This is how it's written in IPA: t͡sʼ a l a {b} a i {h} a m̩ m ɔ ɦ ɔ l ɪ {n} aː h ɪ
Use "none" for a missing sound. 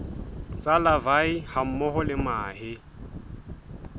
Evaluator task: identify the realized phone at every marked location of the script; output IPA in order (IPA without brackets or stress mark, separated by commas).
v, h, m